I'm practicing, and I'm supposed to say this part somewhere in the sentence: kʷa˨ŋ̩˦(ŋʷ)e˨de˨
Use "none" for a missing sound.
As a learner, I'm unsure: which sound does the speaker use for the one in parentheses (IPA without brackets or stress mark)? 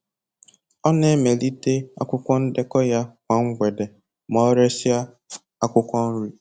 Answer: ɡʷ